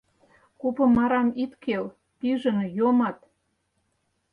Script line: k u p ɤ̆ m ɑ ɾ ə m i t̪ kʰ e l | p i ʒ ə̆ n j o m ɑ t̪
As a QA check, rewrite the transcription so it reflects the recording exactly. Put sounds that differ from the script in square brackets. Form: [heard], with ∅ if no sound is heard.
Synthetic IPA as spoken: k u p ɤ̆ m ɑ ɾ [ɑ] m i t̪ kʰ e l | p i ʒ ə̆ n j o m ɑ t̪